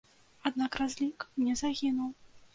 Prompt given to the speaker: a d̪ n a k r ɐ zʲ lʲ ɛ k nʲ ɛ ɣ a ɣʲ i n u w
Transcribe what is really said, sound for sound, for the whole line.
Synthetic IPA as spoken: a d̪ n a k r a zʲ lʲ i k nʲ ɛ z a ɣʲ i n u w